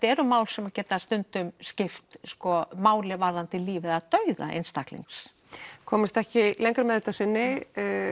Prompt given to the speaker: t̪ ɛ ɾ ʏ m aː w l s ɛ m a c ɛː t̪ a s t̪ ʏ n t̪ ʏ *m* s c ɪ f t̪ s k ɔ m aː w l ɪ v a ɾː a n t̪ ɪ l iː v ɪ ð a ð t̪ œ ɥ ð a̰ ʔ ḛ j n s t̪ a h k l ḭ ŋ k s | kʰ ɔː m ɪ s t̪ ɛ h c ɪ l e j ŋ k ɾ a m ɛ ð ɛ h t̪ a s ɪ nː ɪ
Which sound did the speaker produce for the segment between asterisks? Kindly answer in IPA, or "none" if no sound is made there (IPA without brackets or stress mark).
m